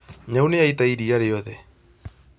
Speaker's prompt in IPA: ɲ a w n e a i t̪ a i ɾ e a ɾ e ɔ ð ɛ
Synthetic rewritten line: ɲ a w n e a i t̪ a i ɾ i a ɾ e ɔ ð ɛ